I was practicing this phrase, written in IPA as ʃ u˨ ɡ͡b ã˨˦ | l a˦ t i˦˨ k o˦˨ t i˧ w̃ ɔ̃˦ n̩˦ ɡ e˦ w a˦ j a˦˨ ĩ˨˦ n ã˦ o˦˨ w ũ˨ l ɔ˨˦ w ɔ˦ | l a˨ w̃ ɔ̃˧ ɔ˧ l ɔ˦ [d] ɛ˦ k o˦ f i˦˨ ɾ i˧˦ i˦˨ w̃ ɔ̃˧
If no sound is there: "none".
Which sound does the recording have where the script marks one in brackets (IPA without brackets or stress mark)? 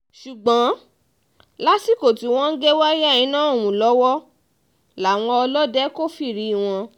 d